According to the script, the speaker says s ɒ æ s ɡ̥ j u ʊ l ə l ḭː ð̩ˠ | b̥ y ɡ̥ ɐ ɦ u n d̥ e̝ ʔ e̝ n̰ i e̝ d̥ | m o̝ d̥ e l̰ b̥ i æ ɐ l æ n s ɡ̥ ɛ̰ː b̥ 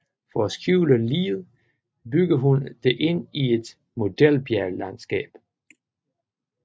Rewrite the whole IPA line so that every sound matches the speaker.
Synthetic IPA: f ɒ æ s ɡ̥ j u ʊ l ə l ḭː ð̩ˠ | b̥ y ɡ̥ ɐ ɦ u n d̥ e̝ ʔ e̝ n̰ i e̝ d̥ | m o̝ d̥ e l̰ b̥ j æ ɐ l æ n s ɡ̥ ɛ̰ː b̥